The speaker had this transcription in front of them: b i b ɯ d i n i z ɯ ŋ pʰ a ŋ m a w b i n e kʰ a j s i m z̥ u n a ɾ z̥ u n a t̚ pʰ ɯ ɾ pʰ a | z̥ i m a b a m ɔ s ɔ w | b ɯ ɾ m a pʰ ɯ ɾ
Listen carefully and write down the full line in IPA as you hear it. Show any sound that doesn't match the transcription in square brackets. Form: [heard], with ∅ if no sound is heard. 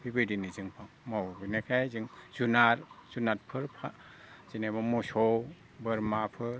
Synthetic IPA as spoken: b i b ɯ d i n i z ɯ ŋ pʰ a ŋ m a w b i n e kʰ a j [z] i [ŋ] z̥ u n a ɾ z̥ u n a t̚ pʰ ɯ ɾ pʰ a | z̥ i [n] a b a m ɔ s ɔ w | b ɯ ɾ m a pʰ ɯ ɾ